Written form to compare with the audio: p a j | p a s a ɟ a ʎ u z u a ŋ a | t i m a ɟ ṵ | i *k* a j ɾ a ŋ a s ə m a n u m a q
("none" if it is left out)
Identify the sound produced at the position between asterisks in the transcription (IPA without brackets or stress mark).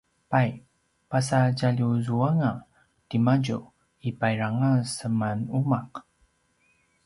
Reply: p